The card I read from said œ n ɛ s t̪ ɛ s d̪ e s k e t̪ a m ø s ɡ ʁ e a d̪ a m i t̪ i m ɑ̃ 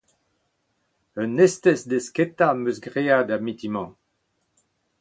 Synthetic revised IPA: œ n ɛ s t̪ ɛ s d̪ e s k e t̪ a m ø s ɡ ʁ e a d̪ a m i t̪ i m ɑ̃